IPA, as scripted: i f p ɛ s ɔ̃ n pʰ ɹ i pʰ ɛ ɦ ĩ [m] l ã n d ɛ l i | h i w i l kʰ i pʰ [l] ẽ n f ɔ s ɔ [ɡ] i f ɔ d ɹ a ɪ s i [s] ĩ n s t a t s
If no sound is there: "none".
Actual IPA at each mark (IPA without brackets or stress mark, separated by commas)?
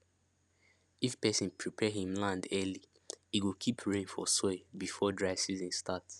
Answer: m, ɹ, b, z